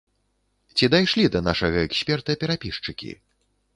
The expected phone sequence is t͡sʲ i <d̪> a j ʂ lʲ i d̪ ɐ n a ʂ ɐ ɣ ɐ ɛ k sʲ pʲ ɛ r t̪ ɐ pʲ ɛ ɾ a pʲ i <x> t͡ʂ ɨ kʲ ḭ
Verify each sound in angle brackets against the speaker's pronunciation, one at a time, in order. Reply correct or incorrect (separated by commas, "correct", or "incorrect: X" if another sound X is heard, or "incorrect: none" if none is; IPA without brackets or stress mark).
correct, incorrect: ʂ